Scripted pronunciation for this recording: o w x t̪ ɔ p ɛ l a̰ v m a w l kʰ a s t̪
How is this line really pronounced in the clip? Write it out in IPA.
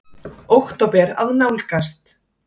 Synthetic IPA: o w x t̪ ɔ p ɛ ɾ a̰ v n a w l k a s t̪